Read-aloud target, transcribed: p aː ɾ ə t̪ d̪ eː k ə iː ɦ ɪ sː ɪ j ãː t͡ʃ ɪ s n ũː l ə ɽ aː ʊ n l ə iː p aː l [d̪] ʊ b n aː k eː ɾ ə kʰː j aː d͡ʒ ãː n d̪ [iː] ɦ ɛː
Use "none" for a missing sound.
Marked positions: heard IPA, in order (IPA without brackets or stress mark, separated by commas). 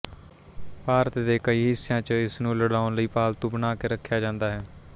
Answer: t̪, aː